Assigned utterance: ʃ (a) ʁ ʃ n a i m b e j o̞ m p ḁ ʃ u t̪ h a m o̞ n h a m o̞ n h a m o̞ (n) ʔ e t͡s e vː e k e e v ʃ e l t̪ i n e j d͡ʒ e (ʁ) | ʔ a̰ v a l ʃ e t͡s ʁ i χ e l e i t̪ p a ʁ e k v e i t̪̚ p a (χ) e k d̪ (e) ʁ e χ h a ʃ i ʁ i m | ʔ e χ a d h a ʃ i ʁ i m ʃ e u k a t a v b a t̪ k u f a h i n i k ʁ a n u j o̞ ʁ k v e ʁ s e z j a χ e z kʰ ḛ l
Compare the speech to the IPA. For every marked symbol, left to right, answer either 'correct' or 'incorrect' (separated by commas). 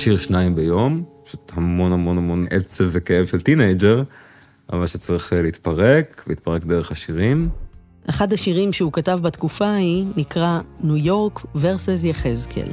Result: incorrect, correct, correct, incorrect, correct